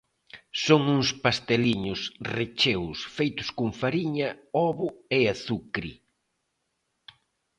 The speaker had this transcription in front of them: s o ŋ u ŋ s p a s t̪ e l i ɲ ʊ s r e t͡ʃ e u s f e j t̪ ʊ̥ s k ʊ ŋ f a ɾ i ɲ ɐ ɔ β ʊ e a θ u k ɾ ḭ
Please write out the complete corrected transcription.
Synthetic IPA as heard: s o ŋ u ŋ s p a s t̪ e l i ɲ ʊ s r e t͡ʃ e w s f e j t̪ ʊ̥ s k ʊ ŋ f a ɾ i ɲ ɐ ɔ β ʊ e a θ u k ɾ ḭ